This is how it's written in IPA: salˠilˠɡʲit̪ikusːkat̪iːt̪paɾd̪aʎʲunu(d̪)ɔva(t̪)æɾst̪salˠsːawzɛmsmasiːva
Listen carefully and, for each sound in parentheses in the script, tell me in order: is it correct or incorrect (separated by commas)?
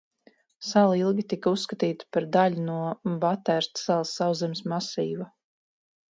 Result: incorrect, correct